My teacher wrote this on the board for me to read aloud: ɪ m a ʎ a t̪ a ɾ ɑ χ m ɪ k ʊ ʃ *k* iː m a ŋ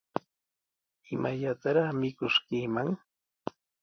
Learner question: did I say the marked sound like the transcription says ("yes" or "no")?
yes